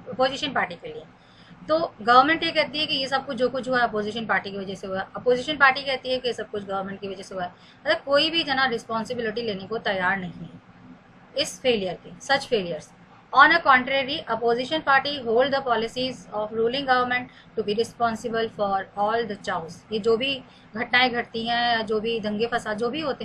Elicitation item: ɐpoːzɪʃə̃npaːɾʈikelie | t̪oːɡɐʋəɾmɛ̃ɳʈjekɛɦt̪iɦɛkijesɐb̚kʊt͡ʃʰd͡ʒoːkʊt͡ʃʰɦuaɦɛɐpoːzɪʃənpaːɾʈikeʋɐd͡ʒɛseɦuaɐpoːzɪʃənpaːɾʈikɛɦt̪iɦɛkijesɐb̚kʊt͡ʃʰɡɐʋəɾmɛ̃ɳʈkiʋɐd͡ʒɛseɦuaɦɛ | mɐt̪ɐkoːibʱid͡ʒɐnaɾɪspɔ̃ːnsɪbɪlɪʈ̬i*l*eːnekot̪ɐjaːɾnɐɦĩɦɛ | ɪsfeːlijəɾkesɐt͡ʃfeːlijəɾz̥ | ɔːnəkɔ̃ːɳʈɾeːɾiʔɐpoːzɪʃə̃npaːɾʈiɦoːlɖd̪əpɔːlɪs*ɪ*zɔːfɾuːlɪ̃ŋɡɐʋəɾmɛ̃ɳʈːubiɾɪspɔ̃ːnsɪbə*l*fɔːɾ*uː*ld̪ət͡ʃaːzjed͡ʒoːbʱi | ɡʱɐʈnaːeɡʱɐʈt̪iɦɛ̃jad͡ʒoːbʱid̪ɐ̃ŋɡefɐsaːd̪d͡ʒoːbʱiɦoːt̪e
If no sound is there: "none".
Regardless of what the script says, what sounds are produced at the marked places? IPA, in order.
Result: l, i, l, ɔː

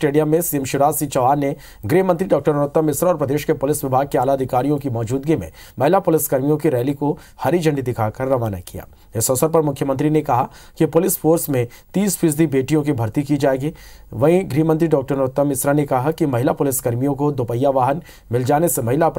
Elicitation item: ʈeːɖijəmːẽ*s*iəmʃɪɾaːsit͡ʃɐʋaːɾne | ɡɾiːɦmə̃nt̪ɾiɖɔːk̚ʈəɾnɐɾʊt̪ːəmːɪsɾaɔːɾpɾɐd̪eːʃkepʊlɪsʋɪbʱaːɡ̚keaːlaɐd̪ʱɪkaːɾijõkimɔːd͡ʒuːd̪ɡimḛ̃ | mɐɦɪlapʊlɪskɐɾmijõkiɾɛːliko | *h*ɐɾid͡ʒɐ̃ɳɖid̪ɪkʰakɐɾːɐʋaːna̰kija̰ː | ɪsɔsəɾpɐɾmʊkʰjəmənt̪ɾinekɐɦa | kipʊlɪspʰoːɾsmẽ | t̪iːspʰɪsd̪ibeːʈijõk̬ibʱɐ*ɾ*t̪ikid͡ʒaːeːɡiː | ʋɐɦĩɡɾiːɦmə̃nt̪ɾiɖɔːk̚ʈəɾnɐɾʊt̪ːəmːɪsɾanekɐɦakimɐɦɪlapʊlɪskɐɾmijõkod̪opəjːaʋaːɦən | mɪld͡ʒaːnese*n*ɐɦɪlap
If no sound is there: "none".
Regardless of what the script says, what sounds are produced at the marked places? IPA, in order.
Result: s, h, ɾ, m

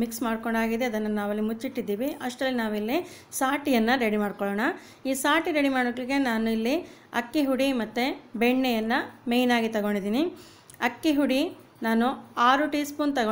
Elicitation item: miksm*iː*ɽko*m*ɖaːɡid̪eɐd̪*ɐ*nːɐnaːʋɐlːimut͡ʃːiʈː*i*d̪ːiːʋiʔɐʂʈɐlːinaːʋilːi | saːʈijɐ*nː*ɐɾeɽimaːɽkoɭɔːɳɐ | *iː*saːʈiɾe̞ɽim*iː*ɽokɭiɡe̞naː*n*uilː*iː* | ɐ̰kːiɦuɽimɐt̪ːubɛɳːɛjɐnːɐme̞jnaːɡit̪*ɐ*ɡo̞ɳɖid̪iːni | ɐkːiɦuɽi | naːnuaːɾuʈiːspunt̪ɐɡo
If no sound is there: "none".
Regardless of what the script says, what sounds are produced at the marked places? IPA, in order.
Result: aː, ɳ, ɐ, i, nː, iː, aː, n, i, ɐ

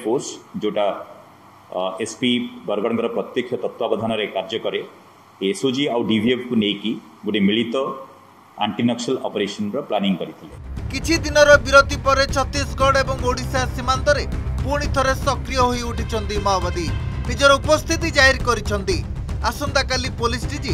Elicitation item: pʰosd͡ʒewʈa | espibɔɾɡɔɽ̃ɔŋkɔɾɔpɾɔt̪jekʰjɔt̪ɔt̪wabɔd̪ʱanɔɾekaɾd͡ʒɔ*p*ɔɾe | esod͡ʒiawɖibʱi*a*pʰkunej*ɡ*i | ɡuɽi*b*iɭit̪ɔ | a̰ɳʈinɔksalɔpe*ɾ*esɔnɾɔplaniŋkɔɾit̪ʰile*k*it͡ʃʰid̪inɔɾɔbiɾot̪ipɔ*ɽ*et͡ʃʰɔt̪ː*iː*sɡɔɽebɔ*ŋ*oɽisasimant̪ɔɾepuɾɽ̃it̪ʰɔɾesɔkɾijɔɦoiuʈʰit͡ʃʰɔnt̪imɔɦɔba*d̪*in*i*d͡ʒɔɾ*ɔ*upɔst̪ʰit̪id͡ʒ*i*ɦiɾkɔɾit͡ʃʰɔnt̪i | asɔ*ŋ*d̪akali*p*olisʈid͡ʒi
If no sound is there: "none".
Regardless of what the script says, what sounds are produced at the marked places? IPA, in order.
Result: k, e, k, m, ɾ, k, ɾ, i, ŋ, d̪, i, ɔ, a, n, p

